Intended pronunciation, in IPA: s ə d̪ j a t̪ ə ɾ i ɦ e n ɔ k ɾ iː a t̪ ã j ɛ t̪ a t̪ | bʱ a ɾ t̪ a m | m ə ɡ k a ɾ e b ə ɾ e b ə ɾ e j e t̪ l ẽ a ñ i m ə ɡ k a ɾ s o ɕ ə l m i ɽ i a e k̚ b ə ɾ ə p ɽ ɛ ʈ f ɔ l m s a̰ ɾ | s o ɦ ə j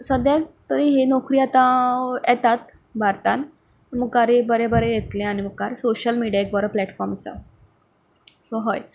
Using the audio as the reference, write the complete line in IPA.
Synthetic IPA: s ə d̪ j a t̪ ə ɾ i ɦ e n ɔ k ɾ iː a t̪ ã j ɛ t̪ a t̪ | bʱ a ɾ t̪ a n | m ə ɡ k a ɾ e b ə ɾ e b ə ɾ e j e t̪ l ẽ a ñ i m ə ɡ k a ɾ s o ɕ ə l m i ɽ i a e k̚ b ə ɾ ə p l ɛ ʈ f ɔ ɾ m s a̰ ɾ | s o ɦ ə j

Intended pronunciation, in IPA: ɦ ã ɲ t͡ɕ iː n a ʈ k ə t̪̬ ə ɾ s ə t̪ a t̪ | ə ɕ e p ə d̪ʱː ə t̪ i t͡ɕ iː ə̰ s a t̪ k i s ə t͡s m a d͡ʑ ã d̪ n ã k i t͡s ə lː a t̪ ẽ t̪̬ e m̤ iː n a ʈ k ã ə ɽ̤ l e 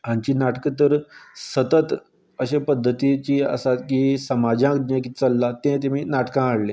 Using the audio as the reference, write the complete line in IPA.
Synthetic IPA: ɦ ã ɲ t͡ɕ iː n a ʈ k ə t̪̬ ə ɾ s ə t̪ ə t̪ | ə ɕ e p ə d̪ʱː ə t̪ i t͡ɕ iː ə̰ s a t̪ k i s ə m a d͡ʑ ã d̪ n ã k i t͡s ə lː a t̪ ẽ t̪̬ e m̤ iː n a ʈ k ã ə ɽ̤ l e

